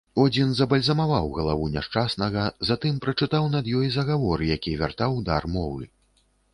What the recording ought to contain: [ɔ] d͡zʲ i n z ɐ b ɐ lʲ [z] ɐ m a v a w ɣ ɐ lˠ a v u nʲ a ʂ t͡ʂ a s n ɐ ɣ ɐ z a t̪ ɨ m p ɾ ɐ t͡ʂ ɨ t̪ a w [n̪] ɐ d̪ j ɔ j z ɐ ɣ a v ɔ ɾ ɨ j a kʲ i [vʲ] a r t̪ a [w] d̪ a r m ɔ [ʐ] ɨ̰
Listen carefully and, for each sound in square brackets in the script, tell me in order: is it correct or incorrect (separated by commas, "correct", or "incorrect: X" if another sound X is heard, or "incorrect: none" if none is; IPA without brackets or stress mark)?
correct, correct, correct, correct, correct, incorrect: v